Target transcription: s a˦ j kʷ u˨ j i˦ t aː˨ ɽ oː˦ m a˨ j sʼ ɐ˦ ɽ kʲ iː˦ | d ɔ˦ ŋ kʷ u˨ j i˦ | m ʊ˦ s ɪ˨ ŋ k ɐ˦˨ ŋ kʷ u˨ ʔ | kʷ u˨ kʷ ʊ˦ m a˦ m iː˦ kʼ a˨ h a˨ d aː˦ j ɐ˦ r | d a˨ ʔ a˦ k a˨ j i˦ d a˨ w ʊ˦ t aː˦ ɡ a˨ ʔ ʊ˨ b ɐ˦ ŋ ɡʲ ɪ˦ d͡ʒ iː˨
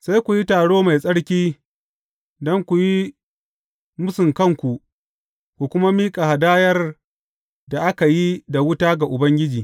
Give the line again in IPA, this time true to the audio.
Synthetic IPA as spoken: s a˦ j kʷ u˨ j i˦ t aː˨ ɽ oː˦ m a˨ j sʼ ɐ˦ ɽ kʲ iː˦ | d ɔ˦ ŋ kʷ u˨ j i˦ | m ʊ˦ s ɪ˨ ŋ k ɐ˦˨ ŋ kʷ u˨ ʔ | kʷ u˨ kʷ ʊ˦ m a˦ m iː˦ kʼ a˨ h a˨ d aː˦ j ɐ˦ r | d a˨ ʔ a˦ k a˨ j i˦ d a˨ w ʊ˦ t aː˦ ɡ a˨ ʔ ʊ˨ b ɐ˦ ŋ ɡʲ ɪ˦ d͡ʒ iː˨